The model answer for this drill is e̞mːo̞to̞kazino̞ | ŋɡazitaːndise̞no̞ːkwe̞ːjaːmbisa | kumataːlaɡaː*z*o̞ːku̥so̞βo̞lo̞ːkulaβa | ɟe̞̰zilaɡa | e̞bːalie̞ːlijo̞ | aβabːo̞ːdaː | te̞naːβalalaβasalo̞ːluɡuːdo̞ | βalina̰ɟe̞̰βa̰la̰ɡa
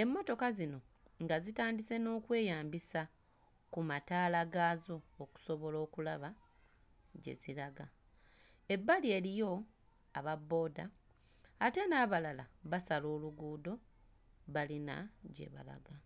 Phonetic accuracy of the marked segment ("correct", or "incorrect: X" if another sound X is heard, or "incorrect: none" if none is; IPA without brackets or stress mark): correct